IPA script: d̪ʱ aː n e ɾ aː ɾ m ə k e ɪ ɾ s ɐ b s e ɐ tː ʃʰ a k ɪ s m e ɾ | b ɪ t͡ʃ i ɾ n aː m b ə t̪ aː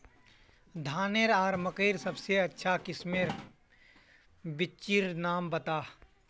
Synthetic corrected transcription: d̪ʱ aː n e ɾ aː ɾ m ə k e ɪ ɾ s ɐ b s e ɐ tː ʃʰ a k ɪ s m e ɾ | b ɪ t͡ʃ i ɾ n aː m b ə t̪ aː

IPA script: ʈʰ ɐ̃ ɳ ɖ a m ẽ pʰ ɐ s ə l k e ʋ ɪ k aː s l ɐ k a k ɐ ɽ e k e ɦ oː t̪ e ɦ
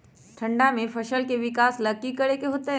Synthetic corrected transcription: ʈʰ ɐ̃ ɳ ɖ a m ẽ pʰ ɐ ʃ ə l k e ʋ ɪ k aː s l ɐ k i k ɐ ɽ e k e ɦ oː t̪ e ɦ

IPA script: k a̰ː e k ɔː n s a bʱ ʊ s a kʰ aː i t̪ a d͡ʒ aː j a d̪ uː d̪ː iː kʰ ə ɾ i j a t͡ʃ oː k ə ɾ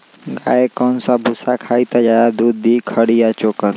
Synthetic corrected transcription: ɡ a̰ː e k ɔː n s a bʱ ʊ s a kʰ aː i t̪ a d͡ʒ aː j a d̪ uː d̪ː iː kʰ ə ɽ i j a t͡ʃ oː k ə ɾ

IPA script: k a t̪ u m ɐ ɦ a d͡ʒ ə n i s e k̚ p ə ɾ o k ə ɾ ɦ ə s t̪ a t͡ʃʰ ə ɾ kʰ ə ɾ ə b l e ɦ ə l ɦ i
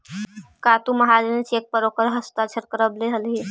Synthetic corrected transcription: k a t̪ u m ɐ ɦ a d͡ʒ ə n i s e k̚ p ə ɾ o k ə ɾ ɦ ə s t̪ a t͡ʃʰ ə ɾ k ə ɾ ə b l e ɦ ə l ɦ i

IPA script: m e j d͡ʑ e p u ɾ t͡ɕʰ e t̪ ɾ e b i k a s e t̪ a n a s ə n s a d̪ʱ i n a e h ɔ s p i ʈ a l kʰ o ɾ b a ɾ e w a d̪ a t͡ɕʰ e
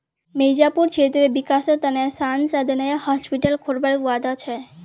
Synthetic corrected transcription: m e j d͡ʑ a p u ɾ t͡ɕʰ e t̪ ɾ e b i k a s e t̪ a n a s a n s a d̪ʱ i n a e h ɔ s p i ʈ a l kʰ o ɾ b a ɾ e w a d̪ a t͡ɕʰ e

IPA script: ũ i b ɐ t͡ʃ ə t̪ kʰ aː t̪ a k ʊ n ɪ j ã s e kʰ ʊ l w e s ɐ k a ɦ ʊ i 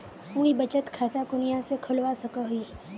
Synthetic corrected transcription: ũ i b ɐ t͡ʃ ə t̪ kʰ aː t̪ a k ʊ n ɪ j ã s e kʰ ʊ l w a s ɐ k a ɦ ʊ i

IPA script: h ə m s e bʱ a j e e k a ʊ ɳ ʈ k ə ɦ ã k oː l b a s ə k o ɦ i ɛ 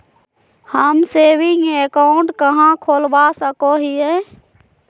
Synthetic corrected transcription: h ə m s e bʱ i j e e k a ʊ ɳ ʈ k ə ɦ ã kʰ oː l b a s ə k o ɦ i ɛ

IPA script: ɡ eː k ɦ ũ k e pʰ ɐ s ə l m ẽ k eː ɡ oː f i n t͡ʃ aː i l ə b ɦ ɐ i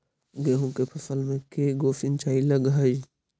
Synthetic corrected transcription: ɡ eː ɦ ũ k e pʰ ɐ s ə l m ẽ k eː ɡ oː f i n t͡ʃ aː i l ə ɡ ɦ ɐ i

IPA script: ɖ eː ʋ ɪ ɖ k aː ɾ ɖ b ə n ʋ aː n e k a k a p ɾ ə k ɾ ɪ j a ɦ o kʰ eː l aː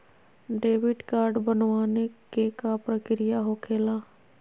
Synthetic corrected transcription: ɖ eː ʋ ɪ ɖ k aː ɾ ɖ b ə n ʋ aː n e k e k a p ɾ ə k ɾ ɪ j a ɦ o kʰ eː l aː

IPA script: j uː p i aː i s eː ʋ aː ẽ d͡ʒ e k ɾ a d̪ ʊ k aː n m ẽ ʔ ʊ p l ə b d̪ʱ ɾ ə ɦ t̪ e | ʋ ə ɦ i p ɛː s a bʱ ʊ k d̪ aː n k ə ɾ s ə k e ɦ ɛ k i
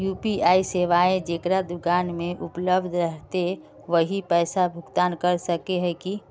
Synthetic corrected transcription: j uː p i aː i s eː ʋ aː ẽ d͡ʒ e k ɾ a d̪ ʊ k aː n m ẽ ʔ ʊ p l ə b d̪ʱ ɾ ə ɦ t̪ e | ʋ ə ɦ i p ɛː s a bʱ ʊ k t̪ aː n k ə ɾ s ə k e ɦ ɛ k i

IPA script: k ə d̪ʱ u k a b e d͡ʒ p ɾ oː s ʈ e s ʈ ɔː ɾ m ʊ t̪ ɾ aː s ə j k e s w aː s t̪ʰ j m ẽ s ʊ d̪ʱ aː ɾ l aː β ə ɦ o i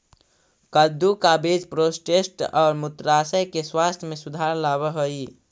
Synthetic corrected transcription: k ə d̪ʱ u k a b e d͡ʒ p ɾ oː s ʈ e s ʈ ɔː ɾ m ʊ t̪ ɾ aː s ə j k e s w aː s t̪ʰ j m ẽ s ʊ d̪ʱ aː ɾ l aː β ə ɦ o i

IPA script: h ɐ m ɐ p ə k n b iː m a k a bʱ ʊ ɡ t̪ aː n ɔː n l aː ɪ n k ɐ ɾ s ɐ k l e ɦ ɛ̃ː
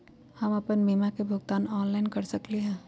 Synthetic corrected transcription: h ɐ m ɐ p ə n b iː m a k e bʱ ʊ ɡ t̪ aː n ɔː n l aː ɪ n k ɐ ɾ s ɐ k l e ɦ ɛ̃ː

